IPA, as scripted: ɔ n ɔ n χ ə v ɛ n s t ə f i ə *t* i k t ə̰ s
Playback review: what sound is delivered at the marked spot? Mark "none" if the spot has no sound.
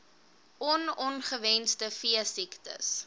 s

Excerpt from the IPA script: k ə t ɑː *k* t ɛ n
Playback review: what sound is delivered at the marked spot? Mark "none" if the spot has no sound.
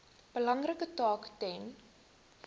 k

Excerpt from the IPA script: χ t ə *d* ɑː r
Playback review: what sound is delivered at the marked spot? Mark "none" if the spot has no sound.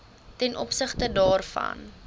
d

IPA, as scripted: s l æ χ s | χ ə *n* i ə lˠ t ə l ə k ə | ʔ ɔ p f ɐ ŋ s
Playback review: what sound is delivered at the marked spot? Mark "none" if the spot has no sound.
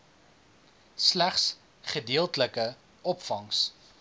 d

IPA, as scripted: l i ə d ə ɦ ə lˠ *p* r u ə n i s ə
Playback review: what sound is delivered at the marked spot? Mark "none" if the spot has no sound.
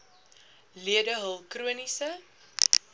k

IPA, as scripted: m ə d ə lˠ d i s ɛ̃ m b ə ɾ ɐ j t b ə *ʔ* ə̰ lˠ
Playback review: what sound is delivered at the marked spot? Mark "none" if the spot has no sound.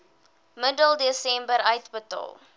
t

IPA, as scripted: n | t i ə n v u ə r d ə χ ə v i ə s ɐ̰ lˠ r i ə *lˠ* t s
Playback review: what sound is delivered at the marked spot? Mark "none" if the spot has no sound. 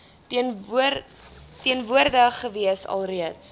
none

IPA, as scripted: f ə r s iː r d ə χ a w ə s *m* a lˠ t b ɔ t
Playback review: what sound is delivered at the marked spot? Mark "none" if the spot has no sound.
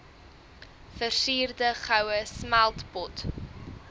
m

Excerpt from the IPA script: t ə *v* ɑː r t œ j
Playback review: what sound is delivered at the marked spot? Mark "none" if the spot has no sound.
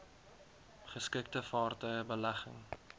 f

